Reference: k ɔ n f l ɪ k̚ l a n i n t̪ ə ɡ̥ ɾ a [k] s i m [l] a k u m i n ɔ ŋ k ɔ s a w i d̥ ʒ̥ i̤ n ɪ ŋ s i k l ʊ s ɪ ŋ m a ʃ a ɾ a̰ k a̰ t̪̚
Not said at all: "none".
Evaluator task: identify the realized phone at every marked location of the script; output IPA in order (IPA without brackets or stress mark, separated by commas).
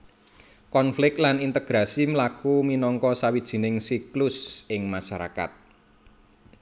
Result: none, l